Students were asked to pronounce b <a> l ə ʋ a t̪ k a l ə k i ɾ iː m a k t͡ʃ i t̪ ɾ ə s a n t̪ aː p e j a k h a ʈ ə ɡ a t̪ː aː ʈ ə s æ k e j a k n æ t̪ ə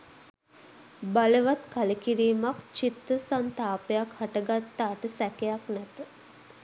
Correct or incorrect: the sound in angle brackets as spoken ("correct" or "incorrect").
correct